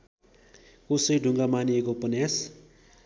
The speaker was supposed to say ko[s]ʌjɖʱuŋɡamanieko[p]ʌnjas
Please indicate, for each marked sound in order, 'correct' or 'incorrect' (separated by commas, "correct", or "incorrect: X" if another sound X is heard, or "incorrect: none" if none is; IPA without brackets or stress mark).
correct, correct